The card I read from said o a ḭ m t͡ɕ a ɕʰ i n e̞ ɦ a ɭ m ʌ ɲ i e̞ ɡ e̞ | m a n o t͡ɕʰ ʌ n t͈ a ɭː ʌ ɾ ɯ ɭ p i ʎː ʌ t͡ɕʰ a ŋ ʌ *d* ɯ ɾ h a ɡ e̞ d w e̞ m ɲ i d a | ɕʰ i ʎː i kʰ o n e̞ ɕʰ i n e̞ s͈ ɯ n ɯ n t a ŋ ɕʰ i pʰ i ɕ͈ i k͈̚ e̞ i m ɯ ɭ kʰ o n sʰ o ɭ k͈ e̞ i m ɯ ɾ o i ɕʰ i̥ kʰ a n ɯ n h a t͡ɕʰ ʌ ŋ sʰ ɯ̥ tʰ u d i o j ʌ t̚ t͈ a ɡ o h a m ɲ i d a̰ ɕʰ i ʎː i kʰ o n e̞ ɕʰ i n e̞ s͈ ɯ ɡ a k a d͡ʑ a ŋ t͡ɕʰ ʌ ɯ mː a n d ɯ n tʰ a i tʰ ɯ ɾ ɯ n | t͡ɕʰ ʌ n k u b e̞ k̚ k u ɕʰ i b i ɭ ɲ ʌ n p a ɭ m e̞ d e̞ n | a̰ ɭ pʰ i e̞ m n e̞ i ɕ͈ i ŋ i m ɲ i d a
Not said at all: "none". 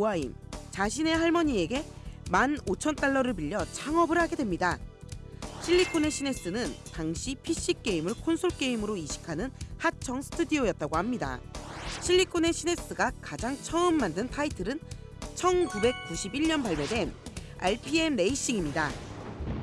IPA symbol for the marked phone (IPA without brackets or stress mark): b